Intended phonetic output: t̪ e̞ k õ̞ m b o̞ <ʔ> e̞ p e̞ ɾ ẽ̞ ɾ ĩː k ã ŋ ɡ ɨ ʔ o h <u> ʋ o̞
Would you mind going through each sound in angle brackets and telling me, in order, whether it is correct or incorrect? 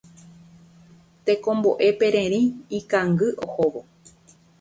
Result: correct, incorrect

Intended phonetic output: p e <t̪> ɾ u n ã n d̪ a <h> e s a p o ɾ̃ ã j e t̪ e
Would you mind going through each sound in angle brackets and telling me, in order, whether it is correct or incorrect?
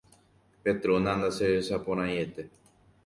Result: correct, incorrect

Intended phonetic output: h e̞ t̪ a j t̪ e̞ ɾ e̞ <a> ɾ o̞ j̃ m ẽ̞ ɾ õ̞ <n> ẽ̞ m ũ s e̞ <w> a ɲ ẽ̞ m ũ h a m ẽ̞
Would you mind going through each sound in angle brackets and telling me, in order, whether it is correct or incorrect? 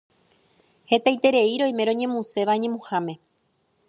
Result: incorrect, incorrect, incorrect

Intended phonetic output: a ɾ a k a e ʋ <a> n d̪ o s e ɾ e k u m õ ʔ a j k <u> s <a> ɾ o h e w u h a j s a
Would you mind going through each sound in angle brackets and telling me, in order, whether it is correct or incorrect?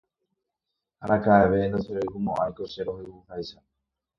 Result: incorrect, incorrect, incorrect

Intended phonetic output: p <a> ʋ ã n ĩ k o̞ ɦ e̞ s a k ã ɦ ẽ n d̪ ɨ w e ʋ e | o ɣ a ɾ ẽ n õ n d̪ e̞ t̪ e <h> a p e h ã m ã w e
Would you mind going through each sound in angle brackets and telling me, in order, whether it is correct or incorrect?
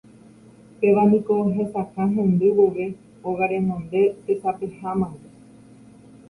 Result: incorrect, incorrect

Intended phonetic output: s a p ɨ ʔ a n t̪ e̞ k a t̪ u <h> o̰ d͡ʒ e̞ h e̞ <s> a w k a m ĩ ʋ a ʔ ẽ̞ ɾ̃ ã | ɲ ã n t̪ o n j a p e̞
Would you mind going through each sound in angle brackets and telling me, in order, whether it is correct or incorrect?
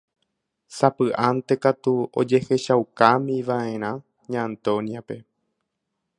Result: incorrect, incorrect

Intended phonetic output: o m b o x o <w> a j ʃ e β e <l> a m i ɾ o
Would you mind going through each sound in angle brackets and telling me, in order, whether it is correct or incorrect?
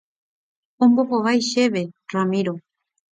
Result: incorrect, incorrect

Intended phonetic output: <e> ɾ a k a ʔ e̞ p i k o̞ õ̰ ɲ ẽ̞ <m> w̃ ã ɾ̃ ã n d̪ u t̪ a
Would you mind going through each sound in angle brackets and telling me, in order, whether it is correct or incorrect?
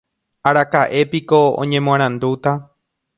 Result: incorrect, correct

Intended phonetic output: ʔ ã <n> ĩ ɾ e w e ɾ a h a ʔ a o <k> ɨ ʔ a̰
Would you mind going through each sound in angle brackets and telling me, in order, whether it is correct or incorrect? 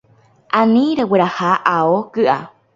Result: correct, correct

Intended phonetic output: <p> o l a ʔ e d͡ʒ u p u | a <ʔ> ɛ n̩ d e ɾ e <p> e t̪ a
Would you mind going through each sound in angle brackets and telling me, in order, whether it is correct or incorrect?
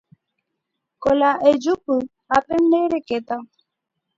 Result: incorrect, incorrect, incorrect

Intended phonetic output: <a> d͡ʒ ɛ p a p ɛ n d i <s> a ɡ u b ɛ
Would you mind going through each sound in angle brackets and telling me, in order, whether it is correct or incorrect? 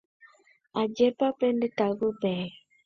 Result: correct, incorrect

